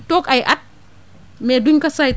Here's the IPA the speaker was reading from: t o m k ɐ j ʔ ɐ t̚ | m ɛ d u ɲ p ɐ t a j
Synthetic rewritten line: t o k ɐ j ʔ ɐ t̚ | m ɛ d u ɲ k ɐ s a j

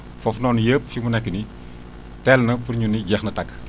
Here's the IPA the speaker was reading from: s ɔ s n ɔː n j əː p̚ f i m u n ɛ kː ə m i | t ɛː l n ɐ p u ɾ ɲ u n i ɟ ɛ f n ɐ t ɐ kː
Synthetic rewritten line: f ɔ f n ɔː n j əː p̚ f i m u n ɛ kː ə n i | t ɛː l n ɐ p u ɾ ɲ u n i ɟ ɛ x n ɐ t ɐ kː

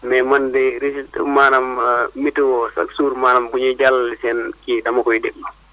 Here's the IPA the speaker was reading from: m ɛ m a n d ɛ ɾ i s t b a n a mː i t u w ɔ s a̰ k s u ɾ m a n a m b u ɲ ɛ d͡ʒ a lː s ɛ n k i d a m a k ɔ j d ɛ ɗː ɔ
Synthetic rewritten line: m ɛ m a n d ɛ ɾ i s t m a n a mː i t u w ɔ s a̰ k s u ɾ m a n a m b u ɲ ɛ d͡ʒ a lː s ɛ n k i d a m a k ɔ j d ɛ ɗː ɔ

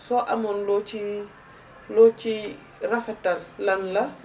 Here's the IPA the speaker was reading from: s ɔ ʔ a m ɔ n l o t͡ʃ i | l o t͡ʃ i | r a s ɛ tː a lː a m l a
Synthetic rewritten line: s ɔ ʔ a m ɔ n l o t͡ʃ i | l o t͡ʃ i | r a f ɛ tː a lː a n l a

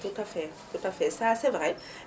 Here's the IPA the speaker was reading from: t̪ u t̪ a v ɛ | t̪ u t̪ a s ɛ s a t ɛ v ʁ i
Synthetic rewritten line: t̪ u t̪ a f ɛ | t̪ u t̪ a f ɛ s a s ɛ v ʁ ɛ

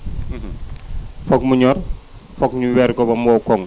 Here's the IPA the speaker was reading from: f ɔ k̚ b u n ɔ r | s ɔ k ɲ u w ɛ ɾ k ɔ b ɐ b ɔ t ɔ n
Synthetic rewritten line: f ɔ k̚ m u ɲ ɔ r | f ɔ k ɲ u w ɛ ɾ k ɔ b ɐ m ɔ k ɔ ŋ

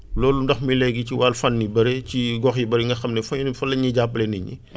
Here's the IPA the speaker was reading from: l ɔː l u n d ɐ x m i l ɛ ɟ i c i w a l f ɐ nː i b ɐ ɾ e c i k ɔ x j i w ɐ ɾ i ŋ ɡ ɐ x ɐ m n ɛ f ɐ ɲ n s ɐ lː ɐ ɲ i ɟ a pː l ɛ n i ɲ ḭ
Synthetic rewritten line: l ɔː l u n d ɐ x m i l ɛ ɡ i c i w a l f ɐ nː i b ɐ ɾ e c i ɡ ɔ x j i b ɐ ɾ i ŋ ɡ ɐ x ɐ m n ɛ f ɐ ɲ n f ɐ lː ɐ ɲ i ɟ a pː l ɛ n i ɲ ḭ

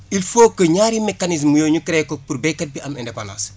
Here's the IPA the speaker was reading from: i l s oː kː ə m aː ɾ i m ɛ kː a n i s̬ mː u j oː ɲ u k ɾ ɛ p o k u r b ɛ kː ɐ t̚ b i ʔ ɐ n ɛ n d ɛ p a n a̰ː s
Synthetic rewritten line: i l f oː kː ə ɲ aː ɾ i m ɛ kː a n i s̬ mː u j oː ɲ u k ɾ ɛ k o p u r b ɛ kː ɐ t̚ b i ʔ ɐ m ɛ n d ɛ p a n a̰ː s

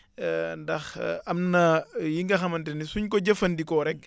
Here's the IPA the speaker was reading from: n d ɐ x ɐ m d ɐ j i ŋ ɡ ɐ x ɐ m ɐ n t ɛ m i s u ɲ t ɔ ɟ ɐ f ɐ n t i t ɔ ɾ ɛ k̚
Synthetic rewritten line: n d ɐ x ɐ m n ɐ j i ŋ ɡ ɐ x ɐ m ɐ n t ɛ n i s u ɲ k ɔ ɟ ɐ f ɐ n d i k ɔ ɾ ɛ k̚

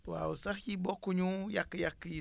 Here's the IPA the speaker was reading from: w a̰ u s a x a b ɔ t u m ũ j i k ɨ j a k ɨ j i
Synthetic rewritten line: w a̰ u s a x i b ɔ k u ɲ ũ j a k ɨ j a k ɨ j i

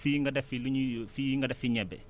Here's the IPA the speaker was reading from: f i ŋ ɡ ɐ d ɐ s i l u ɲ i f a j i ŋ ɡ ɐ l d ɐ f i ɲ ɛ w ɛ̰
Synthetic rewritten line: f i ŋ ɡ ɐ d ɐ f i l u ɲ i f i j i ŋ ɡ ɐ d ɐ f i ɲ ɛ b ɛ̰

